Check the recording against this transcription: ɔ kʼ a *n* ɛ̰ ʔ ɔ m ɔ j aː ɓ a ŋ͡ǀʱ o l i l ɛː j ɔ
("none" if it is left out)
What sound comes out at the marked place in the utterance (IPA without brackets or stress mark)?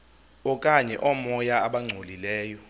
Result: ɲ